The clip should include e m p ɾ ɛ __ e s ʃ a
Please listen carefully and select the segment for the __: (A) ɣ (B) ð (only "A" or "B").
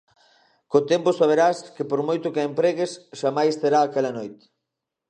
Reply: A